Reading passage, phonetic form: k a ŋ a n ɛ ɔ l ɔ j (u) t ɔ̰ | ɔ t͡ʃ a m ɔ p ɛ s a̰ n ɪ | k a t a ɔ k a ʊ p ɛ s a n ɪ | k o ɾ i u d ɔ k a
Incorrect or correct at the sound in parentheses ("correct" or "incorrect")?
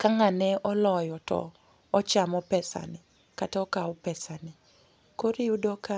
incorrect